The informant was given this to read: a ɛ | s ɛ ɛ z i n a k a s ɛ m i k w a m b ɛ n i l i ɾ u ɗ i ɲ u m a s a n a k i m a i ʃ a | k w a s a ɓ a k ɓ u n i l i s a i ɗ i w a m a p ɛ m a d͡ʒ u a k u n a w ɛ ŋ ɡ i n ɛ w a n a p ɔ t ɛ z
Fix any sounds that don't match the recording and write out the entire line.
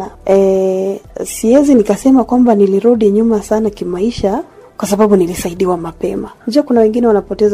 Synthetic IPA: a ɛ | s i ɛ z i n i k a s ɛ m a k w a m b a n i l i ɾ u ɗ i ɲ u m a s a n a k i m a i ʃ a | k w a s a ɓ a ɓ u n i l i s a i ɗ i w a m a p ɛ m a d͡ʒ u a k u n a w ɛ ŋ ɡ i n ɛ w a n a p ɔ t ɛ z